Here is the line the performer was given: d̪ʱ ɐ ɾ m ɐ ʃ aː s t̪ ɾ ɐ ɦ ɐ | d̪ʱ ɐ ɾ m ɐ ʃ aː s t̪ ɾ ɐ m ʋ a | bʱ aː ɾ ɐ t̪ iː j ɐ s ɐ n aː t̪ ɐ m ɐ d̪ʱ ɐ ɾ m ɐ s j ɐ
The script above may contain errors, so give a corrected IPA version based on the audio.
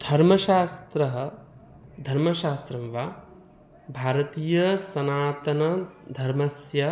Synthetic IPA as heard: d̪ʱ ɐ ɾ m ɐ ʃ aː s t̪ ɾ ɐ ɦ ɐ | d̪ʱ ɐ ɾ m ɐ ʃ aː s t̪ ɾ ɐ m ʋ a | bʱ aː ɾ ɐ t̪ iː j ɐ s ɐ n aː t̪ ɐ n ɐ d̪ʱ ɐ ɾ m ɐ s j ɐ